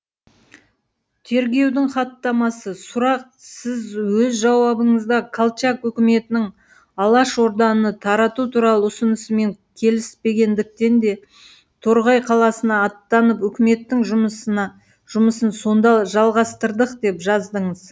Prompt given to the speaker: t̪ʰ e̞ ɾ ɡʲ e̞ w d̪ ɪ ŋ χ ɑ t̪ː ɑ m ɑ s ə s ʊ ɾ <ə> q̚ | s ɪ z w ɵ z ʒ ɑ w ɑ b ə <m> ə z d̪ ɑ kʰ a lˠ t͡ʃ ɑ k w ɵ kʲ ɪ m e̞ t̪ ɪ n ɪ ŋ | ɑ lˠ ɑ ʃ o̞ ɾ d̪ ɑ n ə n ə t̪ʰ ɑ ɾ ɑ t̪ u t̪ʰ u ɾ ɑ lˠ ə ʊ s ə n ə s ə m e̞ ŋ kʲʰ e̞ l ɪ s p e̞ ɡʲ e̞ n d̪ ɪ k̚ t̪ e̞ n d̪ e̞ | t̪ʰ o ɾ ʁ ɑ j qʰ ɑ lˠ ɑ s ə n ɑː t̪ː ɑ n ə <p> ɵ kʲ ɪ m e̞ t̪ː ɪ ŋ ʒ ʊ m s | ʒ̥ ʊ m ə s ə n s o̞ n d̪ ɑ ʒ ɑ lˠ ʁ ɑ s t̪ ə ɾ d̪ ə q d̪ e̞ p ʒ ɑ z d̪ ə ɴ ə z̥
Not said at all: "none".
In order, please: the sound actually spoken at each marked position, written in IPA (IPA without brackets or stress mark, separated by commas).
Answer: ɑ, ɴ, p